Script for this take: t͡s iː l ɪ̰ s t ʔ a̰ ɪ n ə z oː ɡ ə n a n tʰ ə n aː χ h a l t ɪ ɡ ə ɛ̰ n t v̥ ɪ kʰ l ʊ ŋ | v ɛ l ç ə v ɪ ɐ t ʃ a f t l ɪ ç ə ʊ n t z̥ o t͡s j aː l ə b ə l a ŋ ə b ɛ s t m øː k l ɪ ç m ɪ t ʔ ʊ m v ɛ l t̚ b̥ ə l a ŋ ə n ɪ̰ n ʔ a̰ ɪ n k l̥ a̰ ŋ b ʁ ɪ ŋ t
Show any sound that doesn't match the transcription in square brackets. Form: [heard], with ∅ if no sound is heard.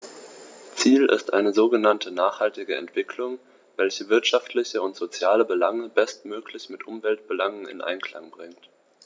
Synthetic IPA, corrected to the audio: t͡s iː l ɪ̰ s t ʔ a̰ ɪ n ə z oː ɡ ə n a n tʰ ə n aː χ h a l t ɪ ɡ ə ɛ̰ n t v̥ ɪ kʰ l ʊ ŋ | v ɛ l ç ə v ɪ ɐ t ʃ a f t l ɪ ç ə ʊ n t z̥ o t͡s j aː l ə b ə l a ŋ ə b ɛ s t m øː k l ɪ ç m ɪ t ʔ ʊ m v ɛ l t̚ b̥ ə l a ŋ ə n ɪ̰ n ʔ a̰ ɪ n k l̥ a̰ ŋ b ʁ ɪ ŋ t